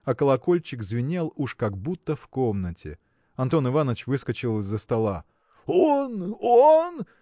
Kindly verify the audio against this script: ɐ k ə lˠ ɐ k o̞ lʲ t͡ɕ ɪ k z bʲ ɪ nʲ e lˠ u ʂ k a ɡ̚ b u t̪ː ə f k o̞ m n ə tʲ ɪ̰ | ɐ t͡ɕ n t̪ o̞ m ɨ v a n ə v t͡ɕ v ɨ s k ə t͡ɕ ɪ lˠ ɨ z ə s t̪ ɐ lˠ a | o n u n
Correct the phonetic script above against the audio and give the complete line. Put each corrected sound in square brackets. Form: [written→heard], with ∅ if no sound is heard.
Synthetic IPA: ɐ k ə lˠ ɐ k o̞ lʲ t͡ɕ ɪ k z [bʲ→vʲ] ɪ nʲ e lˠ u ʂ k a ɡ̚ b u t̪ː ə f k o̞ m n ə tʲ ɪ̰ | ɐ [t͡ɕ→∅] n t̪ o̞ [m→n] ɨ v a n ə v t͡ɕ v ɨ s k ə t͡ɕ ɪ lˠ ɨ [z→zː] ə s t̪ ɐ lˠ a | o n [u→o] n